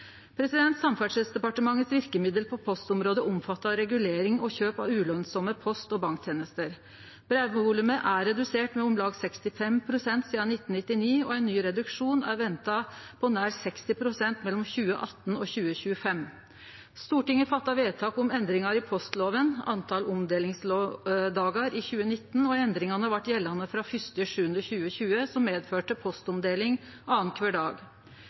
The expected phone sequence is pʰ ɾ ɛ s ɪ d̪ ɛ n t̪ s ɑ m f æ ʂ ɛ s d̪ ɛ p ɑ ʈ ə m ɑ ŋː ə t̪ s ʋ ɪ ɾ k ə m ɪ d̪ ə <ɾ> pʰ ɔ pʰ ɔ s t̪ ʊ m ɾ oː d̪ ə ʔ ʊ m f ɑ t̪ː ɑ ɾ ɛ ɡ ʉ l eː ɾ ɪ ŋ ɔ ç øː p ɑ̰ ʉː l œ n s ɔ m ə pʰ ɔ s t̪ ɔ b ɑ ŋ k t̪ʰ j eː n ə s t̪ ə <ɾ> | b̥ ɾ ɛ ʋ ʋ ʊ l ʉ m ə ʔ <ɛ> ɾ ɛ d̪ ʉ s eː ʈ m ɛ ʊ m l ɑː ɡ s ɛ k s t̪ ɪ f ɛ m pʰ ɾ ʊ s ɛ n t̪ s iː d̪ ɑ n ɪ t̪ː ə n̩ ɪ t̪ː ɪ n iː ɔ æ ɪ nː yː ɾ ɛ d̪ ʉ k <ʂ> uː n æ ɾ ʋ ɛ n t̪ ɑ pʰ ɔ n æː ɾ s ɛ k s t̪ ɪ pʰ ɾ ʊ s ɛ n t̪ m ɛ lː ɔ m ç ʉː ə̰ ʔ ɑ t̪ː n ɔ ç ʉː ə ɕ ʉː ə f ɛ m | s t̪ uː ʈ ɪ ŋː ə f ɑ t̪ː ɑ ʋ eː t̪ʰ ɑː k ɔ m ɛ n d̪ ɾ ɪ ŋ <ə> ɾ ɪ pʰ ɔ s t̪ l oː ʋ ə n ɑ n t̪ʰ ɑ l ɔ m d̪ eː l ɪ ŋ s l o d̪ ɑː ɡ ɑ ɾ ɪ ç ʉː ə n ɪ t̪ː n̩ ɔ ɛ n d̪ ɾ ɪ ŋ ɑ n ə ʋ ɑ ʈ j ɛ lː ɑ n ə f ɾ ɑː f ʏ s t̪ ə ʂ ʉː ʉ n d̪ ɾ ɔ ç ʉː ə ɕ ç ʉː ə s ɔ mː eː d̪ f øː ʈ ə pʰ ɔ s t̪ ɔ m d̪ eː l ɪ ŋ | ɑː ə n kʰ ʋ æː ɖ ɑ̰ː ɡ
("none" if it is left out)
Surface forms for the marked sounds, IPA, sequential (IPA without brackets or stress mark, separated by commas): l, ɾ, æ, ʂ, ɑ